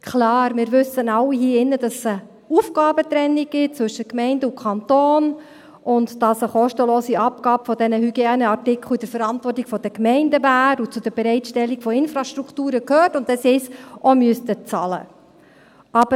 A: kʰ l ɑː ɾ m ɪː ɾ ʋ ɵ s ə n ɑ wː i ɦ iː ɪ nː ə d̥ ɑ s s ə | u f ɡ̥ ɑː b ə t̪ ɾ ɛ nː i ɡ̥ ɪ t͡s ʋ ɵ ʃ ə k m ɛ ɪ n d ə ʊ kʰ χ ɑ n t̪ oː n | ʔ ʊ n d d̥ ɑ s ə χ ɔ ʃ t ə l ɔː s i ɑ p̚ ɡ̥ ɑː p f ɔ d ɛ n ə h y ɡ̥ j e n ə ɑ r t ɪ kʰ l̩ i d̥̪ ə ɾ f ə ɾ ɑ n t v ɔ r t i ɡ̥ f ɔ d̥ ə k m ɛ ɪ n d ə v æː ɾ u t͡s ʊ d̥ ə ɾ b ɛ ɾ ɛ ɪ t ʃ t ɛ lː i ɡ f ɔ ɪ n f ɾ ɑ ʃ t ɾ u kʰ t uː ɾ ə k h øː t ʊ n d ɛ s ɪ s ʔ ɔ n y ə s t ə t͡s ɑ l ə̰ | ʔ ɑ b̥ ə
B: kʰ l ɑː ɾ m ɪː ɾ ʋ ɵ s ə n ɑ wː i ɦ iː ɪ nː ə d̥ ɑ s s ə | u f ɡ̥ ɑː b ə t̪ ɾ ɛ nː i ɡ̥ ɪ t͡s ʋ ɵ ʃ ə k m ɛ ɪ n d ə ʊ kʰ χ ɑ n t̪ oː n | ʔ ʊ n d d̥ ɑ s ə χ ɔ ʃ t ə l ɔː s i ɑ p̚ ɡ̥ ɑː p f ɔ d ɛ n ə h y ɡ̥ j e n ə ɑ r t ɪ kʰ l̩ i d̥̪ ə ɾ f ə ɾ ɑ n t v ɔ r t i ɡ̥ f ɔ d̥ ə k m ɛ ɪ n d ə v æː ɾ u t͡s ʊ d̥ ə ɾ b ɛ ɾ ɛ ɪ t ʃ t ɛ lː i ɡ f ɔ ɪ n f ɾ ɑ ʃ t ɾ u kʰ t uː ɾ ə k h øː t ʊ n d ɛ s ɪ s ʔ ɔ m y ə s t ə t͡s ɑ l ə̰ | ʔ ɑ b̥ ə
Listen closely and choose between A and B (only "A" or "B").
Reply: B